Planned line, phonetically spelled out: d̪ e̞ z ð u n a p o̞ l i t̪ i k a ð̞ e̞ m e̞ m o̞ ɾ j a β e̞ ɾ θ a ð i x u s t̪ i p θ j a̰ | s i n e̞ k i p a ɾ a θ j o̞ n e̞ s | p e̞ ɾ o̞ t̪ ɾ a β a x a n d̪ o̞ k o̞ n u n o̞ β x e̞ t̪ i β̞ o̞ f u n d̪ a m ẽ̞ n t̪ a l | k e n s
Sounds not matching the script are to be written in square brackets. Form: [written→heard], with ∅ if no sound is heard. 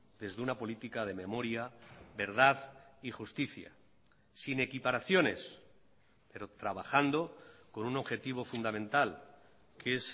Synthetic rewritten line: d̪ e̞ z ð u n a p o̞ l i t̪ i k a ð̞ e̞ m e̞ m o̞ ɾ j a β e̞ ɾ [θ→ð] a ð i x u s t̪ i [p→∅] θ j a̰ | s i n e̞ k i p a ɾ a θ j o̞ n e̞ s | p e̞ ɾ o̞ t̪ ɾ a β a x a n d̪ o̞ k o̞ n u n o̞ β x e̞ t̪ i β̞ o̞ f u n d̪ a m ẽ̞ n t̪ a l | k e [n→∅] s